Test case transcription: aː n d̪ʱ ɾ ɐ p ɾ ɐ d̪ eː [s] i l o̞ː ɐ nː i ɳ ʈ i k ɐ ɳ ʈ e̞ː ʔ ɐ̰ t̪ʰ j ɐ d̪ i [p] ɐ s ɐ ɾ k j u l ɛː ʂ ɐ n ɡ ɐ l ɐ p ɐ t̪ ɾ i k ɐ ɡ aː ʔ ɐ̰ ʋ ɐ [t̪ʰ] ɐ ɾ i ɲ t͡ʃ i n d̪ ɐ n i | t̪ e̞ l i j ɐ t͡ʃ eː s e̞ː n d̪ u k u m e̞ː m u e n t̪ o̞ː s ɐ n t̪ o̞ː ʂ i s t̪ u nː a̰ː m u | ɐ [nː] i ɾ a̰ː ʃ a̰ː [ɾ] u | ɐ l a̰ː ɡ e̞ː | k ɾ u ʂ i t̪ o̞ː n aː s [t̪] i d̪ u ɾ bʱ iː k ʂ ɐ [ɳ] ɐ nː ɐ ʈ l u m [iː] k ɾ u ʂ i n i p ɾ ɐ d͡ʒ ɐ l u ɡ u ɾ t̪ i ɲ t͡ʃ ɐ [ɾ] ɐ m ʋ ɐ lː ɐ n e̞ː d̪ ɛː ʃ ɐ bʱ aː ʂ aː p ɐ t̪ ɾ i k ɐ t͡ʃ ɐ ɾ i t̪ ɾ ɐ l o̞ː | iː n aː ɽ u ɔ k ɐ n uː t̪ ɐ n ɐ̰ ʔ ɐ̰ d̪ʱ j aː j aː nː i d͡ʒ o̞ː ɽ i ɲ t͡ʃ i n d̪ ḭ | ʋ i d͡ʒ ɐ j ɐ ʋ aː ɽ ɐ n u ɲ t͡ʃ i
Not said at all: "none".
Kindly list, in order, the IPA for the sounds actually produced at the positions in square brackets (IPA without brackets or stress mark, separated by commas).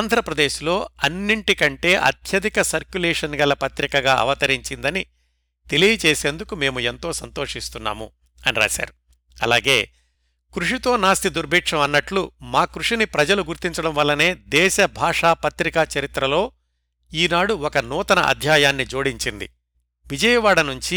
ʃ, k, t̪, n, ɾ, t̪, m, aː, ɽ